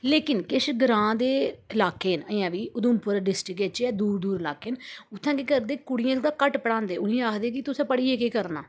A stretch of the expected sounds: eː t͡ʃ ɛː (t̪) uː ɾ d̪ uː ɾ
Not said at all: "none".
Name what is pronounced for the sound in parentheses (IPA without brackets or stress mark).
d̪